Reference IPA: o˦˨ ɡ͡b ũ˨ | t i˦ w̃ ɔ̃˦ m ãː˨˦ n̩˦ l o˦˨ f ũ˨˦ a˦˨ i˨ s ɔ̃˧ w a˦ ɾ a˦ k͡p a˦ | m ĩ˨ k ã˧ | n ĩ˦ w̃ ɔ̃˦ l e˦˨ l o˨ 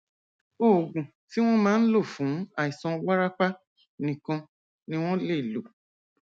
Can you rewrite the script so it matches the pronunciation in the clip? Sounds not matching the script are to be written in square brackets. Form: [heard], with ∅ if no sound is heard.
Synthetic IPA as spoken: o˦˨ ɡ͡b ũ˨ | t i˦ w̃ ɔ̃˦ m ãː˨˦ n̩˦ l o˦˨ f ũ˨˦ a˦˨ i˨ s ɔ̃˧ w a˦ ɾ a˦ k͡p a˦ | [n] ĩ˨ k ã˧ | n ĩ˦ w̃ ɔ̃˦ l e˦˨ l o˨